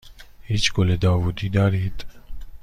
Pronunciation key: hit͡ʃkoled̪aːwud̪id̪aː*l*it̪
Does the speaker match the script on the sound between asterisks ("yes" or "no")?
no